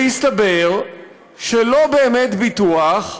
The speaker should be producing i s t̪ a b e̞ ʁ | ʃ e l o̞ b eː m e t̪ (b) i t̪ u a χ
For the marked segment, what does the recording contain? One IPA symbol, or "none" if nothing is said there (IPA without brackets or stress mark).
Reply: b